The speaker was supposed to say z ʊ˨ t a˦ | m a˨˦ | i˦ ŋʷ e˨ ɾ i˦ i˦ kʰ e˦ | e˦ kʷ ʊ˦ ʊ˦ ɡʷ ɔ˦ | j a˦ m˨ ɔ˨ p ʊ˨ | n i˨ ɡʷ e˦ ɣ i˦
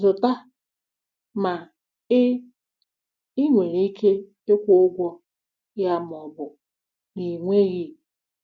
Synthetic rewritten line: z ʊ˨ t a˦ | m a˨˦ | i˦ ŋʷ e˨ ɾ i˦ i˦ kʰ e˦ | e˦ kʷ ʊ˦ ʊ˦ ɡʷ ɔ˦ | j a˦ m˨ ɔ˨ b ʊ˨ | n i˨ ŋʷ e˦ ɣ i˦